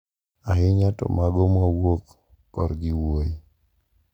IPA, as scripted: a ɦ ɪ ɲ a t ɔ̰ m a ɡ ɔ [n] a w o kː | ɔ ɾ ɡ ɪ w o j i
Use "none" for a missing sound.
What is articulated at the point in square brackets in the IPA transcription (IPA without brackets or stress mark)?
m